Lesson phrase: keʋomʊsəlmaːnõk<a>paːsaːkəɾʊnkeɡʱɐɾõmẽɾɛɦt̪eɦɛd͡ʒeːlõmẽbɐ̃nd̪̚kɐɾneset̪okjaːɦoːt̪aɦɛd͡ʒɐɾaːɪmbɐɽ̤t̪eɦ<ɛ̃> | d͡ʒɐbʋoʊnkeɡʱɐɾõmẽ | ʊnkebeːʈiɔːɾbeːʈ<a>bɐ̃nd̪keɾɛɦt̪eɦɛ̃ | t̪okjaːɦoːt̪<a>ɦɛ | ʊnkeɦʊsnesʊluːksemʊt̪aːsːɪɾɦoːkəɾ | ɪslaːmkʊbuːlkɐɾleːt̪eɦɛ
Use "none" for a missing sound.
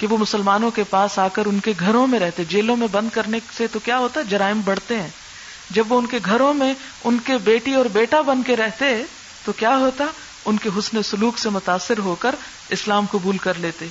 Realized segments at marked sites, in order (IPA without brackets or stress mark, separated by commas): e, ɛ̃ː, a, a